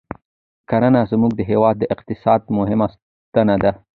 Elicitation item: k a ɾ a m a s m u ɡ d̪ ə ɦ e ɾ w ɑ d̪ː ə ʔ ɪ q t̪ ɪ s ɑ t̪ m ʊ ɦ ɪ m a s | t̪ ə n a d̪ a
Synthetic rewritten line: k a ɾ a n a z m u ɡ d̪ ə ɦ e w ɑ d̪ː ə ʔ ɪ q t̪ ɪ s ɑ d̪ m ʊ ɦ ɪ m a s | t̪ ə n a d̪ a